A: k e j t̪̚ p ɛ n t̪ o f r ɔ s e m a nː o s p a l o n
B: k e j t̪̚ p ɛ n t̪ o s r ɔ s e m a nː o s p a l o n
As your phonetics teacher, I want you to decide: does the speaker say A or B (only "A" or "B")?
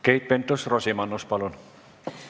B